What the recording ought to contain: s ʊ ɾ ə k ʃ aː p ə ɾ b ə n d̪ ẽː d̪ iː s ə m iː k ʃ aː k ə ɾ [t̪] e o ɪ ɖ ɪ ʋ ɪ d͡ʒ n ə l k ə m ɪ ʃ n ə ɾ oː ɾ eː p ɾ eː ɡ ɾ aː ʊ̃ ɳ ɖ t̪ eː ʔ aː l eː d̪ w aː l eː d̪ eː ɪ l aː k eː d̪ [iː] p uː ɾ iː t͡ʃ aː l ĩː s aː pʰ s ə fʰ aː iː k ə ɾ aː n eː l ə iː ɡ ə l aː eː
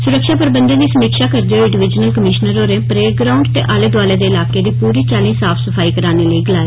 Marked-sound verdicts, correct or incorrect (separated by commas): incorrect, correct